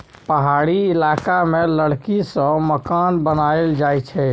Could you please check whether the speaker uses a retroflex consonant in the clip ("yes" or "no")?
yes